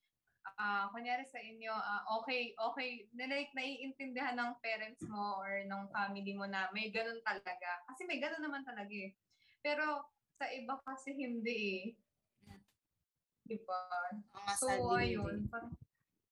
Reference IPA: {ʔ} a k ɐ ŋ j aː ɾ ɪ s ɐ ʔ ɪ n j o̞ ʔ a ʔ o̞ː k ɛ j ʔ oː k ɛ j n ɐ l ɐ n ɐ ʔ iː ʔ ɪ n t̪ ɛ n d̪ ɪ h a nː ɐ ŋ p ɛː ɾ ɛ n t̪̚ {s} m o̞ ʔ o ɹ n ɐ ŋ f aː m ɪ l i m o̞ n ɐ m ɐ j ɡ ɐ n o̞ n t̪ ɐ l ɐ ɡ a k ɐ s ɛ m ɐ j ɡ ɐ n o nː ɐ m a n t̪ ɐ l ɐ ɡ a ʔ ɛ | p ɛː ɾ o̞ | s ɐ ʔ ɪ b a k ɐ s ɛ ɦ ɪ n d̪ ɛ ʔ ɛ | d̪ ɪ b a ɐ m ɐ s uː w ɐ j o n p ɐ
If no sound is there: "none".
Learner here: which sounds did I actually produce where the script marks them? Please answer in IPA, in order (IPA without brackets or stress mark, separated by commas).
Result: ʔ, s